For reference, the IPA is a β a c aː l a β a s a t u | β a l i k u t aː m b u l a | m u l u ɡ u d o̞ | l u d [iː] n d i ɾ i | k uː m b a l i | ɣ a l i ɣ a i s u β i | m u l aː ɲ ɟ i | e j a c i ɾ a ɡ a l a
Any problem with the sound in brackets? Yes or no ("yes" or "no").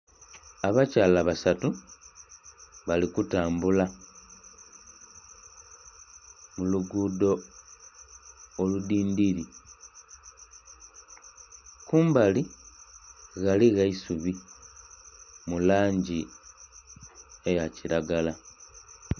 no